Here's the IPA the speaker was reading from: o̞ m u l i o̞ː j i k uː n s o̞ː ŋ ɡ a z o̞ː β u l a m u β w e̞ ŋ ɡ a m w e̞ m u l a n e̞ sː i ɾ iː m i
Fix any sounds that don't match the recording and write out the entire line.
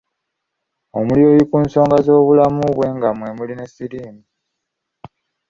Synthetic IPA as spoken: o̞ m u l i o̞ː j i k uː n s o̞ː ŋ ɡ a z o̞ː β u l a m u β w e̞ ŋ ɡ a m w e̞ m u l i n e̞ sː i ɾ iː m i